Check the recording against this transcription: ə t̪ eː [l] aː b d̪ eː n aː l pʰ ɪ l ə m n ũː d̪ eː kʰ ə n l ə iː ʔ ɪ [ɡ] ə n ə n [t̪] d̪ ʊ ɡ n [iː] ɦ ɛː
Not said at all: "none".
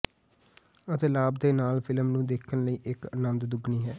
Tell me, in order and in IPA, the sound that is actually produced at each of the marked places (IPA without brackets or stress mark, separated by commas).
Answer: l, k, d̪, iː